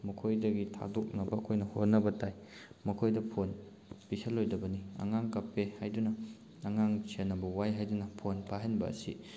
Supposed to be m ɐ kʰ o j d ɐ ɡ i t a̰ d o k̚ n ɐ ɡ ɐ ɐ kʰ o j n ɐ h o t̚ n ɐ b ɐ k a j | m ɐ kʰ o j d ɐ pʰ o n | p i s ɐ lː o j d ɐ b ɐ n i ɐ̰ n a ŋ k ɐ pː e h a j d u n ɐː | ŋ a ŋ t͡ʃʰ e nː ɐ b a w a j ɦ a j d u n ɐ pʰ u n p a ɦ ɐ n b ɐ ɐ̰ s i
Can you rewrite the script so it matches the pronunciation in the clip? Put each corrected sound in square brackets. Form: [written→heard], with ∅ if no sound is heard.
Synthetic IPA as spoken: m ɐ kʰ o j d ɐ ɡ i [t→tʰ] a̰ d o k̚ n ɐ [ɡ→b] ɐ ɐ kʰ o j n ɐ h o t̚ n ɐ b ɐ [k→t] a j | m ɐ kʰ o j d ɐ pʰ o n | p i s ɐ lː o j d ɐ b ɐ n i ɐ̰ [n→ŋ] a ŋ k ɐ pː e h a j d u n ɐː | ŋ a ŋ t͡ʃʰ e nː ɐ b [a→ɐ] w a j ɦ a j d u n ɐ pʰ [u→o] n p a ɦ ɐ n b ɐ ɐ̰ s i

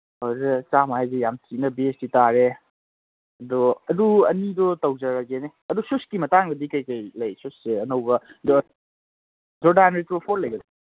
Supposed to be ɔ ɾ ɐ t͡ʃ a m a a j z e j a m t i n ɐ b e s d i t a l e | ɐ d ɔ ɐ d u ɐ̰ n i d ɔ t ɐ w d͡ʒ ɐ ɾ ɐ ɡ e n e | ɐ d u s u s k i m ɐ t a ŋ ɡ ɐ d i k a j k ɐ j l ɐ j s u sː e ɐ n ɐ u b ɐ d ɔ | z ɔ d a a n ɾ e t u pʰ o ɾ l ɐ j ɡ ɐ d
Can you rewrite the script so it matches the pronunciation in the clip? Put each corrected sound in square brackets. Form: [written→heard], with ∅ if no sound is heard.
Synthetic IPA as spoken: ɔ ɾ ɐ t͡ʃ a m a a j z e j a m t i n ɐ b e s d i t a [l→ɾ] e | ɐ d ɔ ɐ d u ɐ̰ n i d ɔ t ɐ w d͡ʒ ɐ ɾ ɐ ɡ e n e | ɐ d u s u s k i m ɐ t a ŋ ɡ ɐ d i k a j k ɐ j l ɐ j s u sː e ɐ n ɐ [u→w] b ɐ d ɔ | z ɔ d a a n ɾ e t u pʰ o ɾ l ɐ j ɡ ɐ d

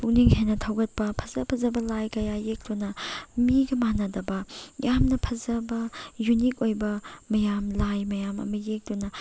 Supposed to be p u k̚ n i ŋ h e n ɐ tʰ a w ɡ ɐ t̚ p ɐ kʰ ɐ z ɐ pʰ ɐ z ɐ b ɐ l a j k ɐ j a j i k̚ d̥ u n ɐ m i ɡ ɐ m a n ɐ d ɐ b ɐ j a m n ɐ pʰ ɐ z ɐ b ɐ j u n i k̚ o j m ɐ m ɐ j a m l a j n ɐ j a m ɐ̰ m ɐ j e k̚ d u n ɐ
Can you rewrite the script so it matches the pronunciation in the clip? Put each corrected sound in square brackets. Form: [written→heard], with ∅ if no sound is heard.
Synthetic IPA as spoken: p u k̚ n i ŋ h e n ɐ tʰ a w ɡ ɐ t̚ p ɐ [kʰ→pʰ] ɐ z ɐ pʰ ɐ z ɐ b ɐ l a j k ɐ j a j [i→e] k̚ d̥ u n ɐ m i ɡ ɐ m a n ɐ d ɐ b ɐ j a m n ɐ pʰ ɐ z ɐ b ɐ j u n i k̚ o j [m→b] ɐ m ɐ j a m l a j [n→m] ɐ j a m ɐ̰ m ɐ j e k̚ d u n ɐ

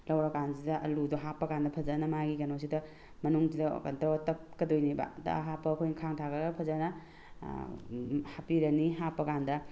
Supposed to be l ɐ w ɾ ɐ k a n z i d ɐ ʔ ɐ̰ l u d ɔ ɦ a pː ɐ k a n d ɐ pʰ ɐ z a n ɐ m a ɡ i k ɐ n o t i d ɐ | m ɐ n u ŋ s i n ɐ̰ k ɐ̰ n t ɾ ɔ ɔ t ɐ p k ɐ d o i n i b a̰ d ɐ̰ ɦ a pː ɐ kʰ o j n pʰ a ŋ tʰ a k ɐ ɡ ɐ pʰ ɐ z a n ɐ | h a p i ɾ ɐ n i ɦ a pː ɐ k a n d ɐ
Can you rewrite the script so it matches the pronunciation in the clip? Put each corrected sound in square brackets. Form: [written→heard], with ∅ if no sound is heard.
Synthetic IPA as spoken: l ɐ w ɾ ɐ k a n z i d ɐ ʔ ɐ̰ l u d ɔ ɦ a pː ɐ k a n d ɐ pʰ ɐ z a n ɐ m a ɡ i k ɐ n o [t→s] i d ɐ | m ɐ n u ŋ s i [n→d] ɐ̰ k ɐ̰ n t ɾ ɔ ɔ t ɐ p k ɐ d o [i→j] n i b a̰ d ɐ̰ ɦ a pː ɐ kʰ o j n [pʰ→kʰ] a ŋ tʰ a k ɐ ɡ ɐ pʰ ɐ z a n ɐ | h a p i ɾ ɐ n i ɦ a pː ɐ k a n d ɐ

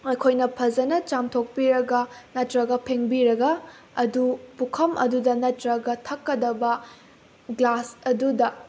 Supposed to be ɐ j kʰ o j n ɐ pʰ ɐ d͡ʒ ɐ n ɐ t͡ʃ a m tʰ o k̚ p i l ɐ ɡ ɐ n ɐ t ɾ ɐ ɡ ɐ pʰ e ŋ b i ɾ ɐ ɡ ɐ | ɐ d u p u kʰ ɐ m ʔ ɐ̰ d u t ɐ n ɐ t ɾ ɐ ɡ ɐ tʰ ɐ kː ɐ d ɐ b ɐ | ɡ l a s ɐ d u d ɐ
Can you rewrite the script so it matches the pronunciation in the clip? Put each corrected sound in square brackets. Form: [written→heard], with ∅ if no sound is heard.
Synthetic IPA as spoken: ɐ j kʰ o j n ɐ pʰ ɐ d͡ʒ ɐ n ɐ t͡ʃ a m tʰ o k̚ p i [l→ɾ] ɐ ɡ ɐ n ɐ t ɾ ɐ ɡ ɐ pʰ e ŋ b i ɾ ɐ ɡ ɐ | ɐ d u p u kʰ ɐ m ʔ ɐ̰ d u [t→d] ɐ n ɐ t ɾ ɐ ɡ ɐ tʰ ɐ kː ɐ d ɐ b ɐ | ɡ l a s ɐ d u d ɐ

